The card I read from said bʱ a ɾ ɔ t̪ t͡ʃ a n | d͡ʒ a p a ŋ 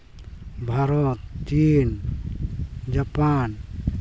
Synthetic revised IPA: bʱ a ɾ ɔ t̪ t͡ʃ i n | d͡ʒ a p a n